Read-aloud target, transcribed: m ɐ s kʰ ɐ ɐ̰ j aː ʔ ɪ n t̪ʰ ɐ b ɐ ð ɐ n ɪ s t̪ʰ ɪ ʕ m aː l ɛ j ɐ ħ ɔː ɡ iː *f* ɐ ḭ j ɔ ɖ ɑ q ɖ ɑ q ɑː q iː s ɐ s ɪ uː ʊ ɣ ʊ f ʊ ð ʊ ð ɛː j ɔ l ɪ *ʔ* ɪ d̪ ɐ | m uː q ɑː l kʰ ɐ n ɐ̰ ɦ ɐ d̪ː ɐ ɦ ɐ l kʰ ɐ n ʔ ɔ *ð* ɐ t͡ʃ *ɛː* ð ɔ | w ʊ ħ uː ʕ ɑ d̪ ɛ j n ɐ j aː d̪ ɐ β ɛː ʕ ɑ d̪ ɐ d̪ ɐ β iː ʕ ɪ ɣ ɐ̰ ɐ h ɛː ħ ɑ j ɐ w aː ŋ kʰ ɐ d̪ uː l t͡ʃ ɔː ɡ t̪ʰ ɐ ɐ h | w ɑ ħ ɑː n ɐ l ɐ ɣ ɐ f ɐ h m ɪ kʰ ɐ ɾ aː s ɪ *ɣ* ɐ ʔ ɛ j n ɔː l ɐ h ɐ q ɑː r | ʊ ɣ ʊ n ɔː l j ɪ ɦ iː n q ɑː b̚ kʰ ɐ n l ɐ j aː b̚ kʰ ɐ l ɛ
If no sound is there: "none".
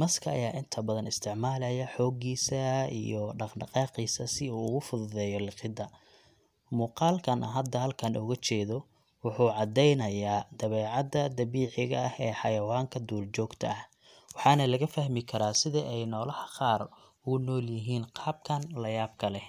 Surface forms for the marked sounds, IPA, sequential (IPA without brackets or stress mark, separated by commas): s, q, ɣ, ɛː, ð